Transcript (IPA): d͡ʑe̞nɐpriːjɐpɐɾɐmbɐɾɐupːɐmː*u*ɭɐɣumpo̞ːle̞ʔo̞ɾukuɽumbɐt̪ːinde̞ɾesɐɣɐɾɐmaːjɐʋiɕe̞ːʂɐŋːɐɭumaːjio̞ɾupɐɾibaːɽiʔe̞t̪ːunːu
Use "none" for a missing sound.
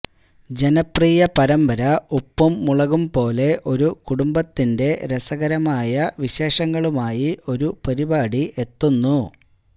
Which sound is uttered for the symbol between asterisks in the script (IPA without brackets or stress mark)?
u